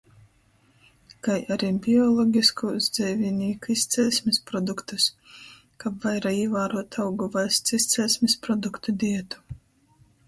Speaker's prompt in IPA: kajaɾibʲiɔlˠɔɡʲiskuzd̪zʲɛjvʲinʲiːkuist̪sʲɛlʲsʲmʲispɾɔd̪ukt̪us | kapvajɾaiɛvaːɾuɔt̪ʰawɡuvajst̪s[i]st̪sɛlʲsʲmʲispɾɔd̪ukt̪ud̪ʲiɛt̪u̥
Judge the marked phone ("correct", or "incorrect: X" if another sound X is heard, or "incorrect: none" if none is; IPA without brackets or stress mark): correct